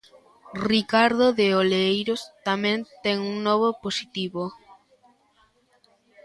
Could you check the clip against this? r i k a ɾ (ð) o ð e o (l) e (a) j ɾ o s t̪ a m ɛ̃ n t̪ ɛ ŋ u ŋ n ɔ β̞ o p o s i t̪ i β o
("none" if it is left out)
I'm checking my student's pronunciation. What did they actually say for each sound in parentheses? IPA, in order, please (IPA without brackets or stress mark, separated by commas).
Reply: ð, l, e